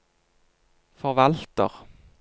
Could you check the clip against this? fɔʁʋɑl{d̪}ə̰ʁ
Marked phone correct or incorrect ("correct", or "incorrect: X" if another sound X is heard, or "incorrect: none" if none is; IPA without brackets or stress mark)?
incorrect: t̪